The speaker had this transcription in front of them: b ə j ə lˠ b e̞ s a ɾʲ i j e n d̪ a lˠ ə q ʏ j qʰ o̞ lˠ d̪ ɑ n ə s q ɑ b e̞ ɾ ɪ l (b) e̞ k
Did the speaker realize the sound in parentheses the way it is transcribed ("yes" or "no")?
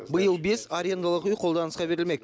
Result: no